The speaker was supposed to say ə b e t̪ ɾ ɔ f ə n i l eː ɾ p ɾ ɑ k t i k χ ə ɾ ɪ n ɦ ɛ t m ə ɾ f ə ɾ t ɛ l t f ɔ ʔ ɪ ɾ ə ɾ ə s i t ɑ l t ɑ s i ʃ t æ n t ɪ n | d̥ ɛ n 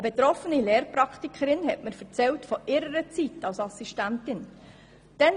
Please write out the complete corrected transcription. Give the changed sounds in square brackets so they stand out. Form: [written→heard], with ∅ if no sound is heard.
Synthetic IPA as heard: ə b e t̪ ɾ ɔ f ə n i l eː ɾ p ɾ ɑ k t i k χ ə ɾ ɪ n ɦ ɛ t m ə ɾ f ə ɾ [t→t͡s] ɛ l t f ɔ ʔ ɪ ɾ ə ɾ ə [s→t͡s] i t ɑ l [t→s] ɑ s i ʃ t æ n t ɪ n | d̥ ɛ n